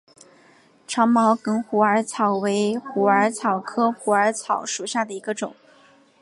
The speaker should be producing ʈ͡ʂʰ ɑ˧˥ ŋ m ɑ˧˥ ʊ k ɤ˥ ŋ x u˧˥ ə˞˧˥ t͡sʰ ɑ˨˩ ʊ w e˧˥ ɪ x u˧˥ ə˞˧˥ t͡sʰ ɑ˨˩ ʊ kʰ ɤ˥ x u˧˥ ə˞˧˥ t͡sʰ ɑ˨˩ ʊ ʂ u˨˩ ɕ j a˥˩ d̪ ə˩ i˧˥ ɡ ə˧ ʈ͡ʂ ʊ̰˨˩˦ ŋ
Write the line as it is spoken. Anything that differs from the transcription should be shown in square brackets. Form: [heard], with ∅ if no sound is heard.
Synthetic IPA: ʈ͡ʂʰ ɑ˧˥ ŋ m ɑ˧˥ ʊ k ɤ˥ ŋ x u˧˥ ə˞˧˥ t͡sʰ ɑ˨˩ ʊ w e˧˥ ɪ x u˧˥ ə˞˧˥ t͡sʰ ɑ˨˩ ʊ kʰ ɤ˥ x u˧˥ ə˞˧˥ t͡sʰ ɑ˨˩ ʊ ʂ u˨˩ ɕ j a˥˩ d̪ ə˩ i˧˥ ɡ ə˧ ʈ͡ʂ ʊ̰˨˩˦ ŋ